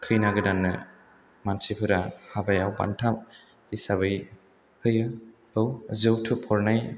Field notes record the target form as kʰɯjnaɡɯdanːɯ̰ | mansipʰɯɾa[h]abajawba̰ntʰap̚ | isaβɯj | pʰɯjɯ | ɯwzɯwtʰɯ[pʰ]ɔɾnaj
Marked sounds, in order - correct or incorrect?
correct, correct

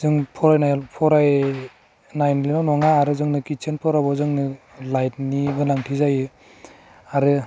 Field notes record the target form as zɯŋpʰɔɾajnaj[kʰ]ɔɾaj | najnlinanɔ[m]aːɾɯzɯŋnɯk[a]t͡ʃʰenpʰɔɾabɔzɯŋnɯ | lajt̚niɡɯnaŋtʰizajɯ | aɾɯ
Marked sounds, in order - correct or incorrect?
incorrect: pʰ, incorrect: ŋ, incorrect: i

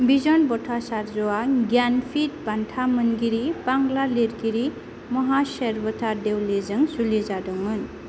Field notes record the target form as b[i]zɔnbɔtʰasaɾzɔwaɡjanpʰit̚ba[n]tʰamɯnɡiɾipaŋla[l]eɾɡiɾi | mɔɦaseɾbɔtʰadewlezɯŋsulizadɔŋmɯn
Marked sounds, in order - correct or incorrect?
correct, correct, correct

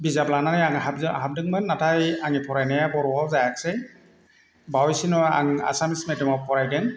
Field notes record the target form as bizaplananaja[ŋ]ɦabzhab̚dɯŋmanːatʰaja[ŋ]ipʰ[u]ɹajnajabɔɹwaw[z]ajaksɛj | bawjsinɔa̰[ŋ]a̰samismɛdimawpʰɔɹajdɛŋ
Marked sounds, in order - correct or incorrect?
correct, correct, incorrect: ɔ, correct, correct

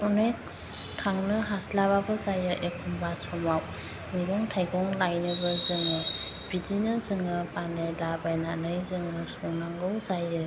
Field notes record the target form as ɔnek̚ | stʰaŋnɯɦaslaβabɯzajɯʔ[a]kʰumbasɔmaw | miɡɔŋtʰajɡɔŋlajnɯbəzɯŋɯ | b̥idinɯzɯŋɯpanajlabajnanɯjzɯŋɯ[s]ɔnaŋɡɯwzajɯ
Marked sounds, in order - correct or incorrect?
incorrect: e, correct

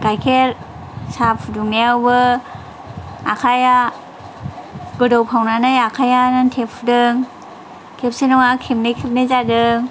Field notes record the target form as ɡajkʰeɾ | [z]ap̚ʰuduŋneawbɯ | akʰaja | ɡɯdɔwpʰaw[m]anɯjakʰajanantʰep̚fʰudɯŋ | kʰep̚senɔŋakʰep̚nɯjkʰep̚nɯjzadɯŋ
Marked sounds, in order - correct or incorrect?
incorrect: s, incorrect: n

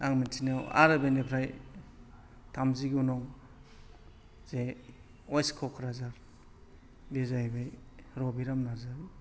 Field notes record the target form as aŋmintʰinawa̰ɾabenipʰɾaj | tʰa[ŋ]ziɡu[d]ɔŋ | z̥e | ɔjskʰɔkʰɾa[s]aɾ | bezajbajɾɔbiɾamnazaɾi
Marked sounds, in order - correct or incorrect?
incorrect: m, incorrect: n, incorrect: z

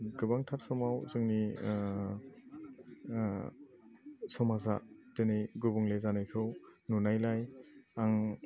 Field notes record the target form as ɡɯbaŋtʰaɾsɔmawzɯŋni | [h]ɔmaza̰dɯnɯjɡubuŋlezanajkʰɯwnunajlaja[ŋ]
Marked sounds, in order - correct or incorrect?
incorrect: s, correct

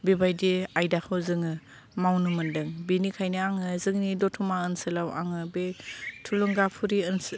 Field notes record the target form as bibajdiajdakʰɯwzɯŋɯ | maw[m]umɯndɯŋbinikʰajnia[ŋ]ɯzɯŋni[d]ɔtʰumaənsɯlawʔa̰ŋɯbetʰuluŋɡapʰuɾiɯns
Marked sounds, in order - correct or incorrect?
incorrect: n, correct, correct

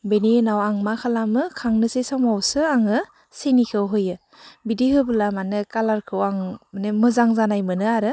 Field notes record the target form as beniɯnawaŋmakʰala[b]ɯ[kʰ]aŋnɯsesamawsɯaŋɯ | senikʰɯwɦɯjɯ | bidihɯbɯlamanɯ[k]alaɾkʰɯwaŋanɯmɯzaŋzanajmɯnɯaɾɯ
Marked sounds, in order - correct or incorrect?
incorrect: m, correct, correct

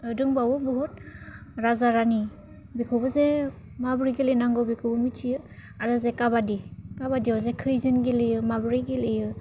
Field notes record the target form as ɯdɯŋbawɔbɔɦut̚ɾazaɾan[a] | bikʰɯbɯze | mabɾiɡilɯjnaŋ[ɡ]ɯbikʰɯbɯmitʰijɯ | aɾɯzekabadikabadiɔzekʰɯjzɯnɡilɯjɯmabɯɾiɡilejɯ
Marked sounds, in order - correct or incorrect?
incorrect: i, correct

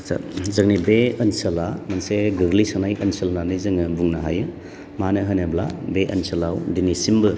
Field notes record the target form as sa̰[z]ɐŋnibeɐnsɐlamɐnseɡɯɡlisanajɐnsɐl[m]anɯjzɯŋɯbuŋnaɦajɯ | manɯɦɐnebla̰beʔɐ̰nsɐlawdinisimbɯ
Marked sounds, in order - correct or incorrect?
correct, incorrect: n

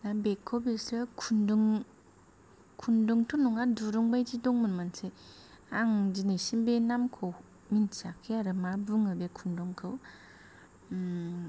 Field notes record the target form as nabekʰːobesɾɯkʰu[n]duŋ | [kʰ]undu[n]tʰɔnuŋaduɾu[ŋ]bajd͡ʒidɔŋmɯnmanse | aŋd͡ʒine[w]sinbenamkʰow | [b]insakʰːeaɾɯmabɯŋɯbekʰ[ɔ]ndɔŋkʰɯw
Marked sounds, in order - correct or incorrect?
correct, correct, incorrect: ŋ, correct, incorrect: none, incorrect: m, incorrect: u

